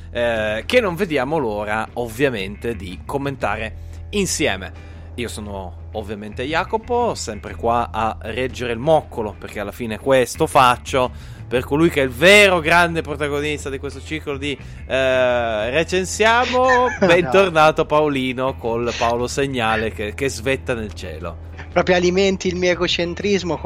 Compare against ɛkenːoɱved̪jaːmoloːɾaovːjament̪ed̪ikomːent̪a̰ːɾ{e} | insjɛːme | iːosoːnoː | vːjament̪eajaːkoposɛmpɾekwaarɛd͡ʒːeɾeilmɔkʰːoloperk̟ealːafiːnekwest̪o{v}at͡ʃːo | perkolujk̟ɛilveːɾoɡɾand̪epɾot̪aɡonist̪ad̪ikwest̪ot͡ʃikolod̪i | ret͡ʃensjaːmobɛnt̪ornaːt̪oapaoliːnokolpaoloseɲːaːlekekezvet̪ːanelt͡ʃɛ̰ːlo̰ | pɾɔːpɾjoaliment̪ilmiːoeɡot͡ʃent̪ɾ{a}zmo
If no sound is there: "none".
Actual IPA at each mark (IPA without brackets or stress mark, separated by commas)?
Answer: e, f, i